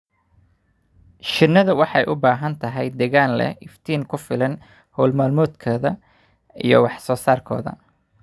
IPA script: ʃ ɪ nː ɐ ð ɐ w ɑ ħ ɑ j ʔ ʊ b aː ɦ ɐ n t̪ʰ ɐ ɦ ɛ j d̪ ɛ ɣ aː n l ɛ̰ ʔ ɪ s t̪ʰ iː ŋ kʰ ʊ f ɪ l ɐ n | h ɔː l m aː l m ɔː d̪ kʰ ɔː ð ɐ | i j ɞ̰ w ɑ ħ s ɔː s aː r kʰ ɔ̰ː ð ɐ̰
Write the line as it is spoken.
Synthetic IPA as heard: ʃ ɪ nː ɐ ð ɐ w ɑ ħ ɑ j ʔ ʊ b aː ɦ ɐ n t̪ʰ ɐ ɦ ɛ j d̪ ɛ ɣ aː n l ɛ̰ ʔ ɪ f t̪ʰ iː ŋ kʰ ʊ f ɪ l ɐ n | h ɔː l m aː l m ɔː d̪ kʰ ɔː ð ɐ | i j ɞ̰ w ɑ ħ s ɔː s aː r kʰ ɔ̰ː ð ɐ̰